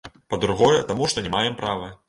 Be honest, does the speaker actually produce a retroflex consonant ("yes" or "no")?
yes